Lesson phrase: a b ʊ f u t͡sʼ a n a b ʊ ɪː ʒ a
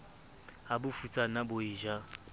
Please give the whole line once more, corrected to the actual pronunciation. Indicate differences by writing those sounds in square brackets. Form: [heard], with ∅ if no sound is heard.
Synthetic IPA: a b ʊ f u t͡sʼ a n a b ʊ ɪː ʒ a